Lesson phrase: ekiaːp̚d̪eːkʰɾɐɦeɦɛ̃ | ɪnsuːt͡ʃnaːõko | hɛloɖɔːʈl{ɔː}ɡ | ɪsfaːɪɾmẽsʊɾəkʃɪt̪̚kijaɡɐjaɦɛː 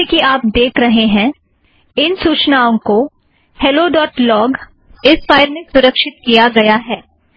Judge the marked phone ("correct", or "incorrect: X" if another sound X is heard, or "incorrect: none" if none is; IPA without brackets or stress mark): correct